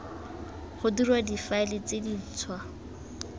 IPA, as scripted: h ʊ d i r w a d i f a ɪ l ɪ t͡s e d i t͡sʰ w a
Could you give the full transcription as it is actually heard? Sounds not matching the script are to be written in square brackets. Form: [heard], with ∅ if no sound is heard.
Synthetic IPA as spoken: [χ] ʊ d i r w a d i f a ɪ l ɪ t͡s e d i t͡sʰ w a